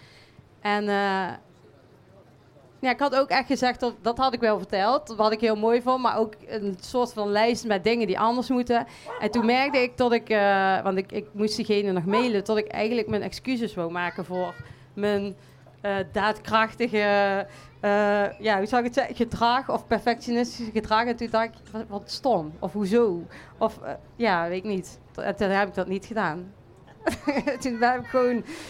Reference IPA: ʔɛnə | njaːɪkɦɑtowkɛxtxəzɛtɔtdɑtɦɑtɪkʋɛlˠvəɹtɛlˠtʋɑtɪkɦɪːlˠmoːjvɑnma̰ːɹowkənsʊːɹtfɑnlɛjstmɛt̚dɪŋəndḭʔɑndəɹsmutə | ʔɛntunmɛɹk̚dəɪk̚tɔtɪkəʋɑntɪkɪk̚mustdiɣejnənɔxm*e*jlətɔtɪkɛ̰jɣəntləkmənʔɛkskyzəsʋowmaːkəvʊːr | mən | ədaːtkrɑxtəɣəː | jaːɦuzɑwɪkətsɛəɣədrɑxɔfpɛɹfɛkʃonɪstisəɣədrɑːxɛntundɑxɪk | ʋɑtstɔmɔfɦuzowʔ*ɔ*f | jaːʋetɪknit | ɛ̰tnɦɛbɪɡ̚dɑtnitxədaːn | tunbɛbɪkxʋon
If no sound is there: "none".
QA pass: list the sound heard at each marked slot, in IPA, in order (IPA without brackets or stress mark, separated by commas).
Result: e, ɔ